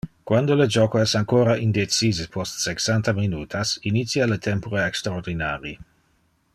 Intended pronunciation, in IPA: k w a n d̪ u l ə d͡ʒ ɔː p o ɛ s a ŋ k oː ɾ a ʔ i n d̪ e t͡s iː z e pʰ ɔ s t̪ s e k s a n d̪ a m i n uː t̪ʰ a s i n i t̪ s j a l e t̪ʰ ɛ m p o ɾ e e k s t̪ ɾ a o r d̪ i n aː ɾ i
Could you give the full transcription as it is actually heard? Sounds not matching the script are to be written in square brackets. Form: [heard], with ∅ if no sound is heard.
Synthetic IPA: k w a n d̪ [o] l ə d͡ʒ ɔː [k] o ɛ s a ŋ k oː ɾ a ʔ i n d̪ e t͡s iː z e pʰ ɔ s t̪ s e k s a n [t̪] a m i n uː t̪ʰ a s i n i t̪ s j a l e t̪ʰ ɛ m p o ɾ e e k s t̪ ɾ a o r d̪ i n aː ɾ i

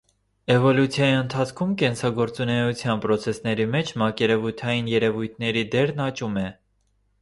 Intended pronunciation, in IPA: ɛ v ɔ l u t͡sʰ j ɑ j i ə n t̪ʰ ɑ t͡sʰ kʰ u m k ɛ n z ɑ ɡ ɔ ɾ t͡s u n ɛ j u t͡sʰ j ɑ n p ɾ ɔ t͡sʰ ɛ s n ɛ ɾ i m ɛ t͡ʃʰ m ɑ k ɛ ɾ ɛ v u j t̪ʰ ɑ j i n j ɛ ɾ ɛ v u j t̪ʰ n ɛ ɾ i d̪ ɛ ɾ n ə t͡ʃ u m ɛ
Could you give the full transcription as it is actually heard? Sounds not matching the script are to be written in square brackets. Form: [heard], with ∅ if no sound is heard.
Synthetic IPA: ɛ v ɔ l u t͡sʰ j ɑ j i ə n t̪ʰ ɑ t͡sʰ kʰ u m k ɛ n [s] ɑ ɡ ɔ ɾ t͡s u n ɛ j u t͡sʰ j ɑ n p ɾ ɔ t͡sʰ ɛ s n ɛ ɾ i m ɛ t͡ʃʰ m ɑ k ɛ ɾ ɛ v u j t̪ʰ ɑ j i n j ɛ ɾ ɛ v u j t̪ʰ n ɛ ɾ i d̪ ɛ ɾ n [ɑ] t͡ʃ u m ɛ

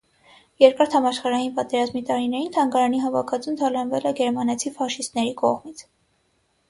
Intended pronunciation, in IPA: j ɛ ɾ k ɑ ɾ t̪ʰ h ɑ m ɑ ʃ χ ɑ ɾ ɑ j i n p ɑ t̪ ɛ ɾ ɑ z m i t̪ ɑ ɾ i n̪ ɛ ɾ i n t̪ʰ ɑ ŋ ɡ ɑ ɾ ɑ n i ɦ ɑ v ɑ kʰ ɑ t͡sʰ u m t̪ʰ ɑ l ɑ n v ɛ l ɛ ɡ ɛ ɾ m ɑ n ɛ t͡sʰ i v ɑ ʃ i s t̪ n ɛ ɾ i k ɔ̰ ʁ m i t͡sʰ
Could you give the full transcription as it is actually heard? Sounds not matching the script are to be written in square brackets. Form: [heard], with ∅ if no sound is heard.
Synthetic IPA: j ɛ ɾ k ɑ ɾ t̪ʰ h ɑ m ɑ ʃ χ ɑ ɾ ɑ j i n p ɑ t̪ ɛ ɾ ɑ z m i t̪ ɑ ɾ i n̪ ɛ ɾ i n t̪ʰ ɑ ŋ ɡ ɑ ɾ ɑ n i ɦ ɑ v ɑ kʰ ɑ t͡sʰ u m t̪ʰ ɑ l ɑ n v ɛ l ɛ ɡ ɛ ɾ m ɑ n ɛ t͡sʰ i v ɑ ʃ i s t̪ n ɛ ɾ i k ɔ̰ ʁ m i t͡sʰ

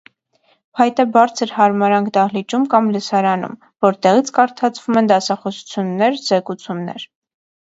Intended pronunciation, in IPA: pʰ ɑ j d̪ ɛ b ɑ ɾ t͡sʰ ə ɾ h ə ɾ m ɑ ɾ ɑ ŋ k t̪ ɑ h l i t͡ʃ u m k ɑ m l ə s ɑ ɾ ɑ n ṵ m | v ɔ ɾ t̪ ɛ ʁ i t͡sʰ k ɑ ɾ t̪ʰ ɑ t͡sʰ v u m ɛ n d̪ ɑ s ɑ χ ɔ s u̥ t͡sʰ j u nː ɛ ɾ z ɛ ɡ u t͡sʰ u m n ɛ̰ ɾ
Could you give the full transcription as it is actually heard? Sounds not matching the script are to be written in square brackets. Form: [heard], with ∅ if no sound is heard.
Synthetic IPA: pʰ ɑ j [t̪] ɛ b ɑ ɾ t͡sʰ ə ɾ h [ɑ] ɾ m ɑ ɾ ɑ ŋ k [d̪] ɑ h l i t͡ʃ u m k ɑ m l ə s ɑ ɾ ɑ n ṵ m | v ɔ ɾ t̪ ɛ ʁ i t͡sʰ k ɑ ɾ t̪ʰ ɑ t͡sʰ v u m ɛ n d̪ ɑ s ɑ χ ɔ s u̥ t͡sʰ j u nː ɛ ɾ z ɛ [k] u t͡sʰ u m n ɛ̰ ɾ

